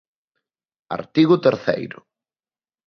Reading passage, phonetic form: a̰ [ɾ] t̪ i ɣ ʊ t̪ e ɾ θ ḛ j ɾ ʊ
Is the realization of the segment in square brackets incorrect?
no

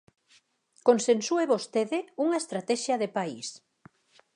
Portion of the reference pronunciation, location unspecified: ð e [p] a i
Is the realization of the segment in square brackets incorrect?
no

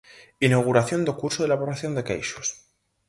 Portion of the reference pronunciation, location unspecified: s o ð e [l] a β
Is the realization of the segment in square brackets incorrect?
no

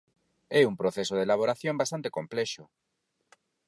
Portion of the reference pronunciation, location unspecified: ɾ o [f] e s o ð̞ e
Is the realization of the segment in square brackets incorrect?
yes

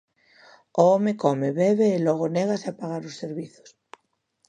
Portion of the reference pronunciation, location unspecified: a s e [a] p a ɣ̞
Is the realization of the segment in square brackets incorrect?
no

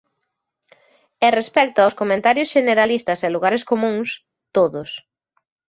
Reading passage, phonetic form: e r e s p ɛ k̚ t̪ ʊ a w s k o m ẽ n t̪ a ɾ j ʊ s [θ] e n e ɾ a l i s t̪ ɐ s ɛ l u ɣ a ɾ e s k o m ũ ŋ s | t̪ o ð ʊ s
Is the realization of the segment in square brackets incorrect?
yes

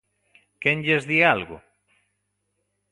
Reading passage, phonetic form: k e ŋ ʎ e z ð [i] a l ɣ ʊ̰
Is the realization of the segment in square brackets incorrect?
no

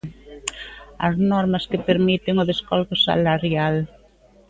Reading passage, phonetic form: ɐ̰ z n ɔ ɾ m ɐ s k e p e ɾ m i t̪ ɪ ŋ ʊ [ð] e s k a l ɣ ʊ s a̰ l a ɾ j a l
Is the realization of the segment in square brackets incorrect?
no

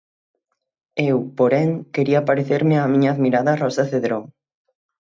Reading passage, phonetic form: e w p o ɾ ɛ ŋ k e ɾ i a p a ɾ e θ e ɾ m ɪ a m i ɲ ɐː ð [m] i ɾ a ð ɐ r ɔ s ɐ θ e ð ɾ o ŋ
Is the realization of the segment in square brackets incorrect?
no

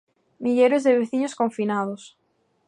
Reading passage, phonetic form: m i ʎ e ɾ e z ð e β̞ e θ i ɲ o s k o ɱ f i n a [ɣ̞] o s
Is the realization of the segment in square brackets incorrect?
yes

